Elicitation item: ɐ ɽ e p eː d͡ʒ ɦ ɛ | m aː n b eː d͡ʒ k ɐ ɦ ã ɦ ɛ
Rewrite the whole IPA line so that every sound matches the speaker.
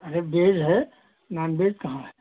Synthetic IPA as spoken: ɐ ɾ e b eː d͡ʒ ɦ ɛ | n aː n b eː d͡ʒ k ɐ ɦ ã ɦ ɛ